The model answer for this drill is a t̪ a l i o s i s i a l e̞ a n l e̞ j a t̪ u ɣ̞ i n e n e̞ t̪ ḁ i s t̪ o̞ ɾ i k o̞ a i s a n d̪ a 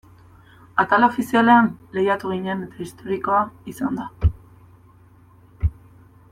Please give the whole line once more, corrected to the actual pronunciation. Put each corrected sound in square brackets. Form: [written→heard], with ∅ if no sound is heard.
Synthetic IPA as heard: a t̪ a l [i→a] o [s→f] i s i a l e̞ a n l e̞ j a t̪ u ɣ̞ i [n→ɲ] e n e̞ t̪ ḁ i s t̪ o̞ ɾ i k o̞ a i s a n d̪ a